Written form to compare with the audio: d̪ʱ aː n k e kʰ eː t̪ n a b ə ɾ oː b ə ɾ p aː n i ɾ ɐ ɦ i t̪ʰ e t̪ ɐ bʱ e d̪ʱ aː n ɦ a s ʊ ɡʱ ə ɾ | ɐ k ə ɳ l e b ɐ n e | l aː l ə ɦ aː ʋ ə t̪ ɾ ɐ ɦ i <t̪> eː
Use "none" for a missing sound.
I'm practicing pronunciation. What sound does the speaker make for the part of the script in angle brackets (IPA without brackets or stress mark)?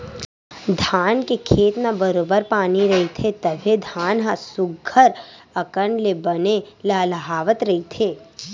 t̪ʰ